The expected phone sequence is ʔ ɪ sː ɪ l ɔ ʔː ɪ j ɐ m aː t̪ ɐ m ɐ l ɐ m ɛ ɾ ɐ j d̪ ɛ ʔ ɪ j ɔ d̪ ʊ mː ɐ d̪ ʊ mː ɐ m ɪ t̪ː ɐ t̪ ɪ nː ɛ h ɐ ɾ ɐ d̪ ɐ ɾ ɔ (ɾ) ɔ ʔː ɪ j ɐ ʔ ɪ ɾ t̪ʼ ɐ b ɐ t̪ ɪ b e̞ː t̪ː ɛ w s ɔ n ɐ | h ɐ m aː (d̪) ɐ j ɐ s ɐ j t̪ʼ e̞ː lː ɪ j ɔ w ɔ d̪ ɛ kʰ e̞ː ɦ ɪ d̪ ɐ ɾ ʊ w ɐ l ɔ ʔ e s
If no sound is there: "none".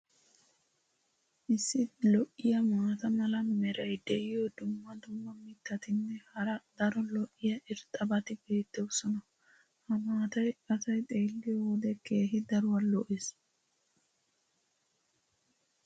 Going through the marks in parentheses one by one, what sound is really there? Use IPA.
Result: l, t̪

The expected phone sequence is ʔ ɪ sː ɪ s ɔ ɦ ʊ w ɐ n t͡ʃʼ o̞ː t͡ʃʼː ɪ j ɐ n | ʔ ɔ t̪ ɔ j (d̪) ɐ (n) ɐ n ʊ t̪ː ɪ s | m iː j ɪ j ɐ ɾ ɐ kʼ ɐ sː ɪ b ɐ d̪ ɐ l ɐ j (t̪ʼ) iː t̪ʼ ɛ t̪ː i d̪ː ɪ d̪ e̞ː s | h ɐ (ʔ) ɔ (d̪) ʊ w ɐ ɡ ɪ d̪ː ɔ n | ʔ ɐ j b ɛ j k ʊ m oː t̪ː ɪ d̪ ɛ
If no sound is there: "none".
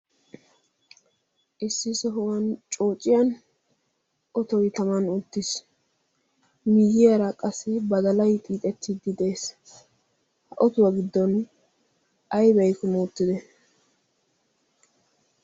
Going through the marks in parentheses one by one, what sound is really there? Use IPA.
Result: t̪, m, t̪ʼ, ʔ, t̪

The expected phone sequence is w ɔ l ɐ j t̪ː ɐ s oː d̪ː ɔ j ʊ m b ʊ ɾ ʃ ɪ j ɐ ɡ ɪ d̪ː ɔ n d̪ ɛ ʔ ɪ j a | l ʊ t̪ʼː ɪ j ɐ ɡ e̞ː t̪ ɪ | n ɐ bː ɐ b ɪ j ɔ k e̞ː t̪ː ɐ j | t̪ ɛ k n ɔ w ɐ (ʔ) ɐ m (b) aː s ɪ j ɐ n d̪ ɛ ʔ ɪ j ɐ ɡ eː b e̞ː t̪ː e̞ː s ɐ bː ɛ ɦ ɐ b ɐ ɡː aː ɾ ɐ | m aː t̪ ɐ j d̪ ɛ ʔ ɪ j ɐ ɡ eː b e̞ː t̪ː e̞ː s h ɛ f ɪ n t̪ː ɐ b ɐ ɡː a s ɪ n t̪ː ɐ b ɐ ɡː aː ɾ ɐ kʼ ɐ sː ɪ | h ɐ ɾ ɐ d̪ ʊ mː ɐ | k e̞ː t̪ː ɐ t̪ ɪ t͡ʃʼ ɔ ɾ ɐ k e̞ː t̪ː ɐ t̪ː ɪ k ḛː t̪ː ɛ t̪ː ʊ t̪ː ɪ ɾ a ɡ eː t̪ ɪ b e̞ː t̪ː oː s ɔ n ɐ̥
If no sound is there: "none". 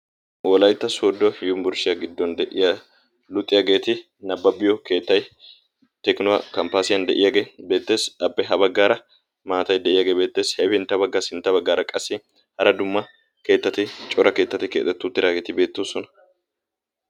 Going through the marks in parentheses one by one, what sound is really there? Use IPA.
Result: k, p

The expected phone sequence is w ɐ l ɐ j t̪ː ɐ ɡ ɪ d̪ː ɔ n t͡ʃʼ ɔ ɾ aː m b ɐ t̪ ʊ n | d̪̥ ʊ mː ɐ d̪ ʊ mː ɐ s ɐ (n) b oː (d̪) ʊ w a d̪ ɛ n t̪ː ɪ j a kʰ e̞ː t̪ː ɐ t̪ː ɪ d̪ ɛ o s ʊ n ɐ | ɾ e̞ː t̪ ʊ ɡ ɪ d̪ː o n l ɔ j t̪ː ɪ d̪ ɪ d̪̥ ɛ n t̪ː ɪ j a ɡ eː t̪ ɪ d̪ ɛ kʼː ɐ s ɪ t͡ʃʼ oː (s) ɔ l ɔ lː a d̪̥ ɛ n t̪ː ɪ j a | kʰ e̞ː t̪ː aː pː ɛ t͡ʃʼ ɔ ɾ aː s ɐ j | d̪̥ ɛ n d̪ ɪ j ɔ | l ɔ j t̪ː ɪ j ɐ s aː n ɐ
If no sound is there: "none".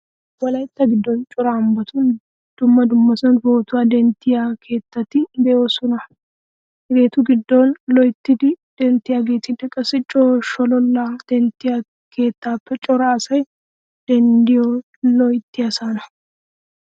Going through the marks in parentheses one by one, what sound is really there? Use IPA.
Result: n, t̪, ʃ

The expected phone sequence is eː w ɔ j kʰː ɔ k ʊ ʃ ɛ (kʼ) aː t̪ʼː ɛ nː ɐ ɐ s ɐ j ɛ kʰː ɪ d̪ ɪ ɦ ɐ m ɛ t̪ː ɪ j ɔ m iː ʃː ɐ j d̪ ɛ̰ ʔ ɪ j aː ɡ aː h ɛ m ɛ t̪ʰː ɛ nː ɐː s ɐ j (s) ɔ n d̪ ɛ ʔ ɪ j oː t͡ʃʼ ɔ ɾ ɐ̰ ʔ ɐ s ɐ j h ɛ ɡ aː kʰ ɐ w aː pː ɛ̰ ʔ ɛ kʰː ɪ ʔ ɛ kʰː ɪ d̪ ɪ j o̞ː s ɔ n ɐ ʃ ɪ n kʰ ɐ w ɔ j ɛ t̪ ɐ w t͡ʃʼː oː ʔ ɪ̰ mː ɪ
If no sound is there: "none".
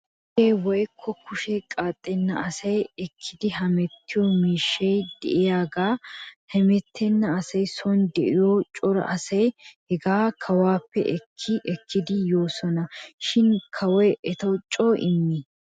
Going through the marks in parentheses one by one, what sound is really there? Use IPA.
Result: kʼ, s

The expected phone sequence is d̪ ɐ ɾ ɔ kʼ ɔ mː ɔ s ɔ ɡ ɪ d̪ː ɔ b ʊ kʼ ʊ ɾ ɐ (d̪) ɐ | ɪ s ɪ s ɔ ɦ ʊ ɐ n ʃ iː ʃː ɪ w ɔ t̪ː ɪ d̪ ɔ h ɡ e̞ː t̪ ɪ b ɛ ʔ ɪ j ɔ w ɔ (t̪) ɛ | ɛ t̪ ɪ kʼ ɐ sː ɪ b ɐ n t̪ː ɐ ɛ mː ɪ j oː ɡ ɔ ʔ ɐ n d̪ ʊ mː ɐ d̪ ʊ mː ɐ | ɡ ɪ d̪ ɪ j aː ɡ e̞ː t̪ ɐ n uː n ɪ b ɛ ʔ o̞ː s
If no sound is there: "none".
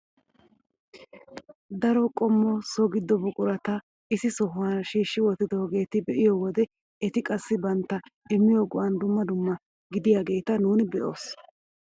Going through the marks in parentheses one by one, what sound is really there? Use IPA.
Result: t̪, d̪

